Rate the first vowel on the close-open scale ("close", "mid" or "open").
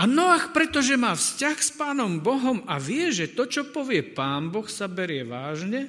open